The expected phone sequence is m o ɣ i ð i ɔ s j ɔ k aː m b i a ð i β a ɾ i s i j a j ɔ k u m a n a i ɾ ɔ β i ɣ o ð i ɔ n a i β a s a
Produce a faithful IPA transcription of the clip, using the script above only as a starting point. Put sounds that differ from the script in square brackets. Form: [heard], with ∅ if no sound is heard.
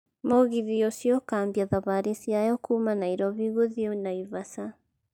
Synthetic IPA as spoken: m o ɣ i ð i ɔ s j ɔ k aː m b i a ð [a] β a ɾ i s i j a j ɔ k u m a n a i ɾ ɔ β i ɣ o ð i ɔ n a i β a s a